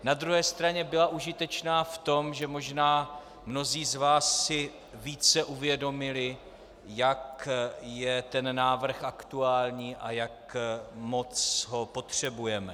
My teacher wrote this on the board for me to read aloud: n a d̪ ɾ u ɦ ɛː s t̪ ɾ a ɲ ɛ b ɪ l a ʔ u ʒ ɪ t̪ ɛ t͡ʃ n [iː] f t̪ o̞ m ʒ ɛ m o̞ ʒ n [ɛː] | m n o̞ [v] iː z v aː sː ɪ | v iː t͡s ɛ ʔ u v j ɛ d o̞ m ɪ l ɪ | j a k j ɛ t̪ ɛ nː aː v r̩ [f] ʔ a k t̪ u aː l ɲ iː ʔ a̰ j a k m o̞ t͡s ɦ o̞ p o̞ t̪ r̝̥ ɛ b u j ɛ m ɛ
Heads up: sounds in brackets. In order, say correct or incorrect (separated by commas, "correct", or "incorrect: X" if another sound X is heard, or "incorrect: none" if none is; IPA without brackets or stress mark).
incorrect: aː, incorrect: aː, incorrect: z, incorrect: x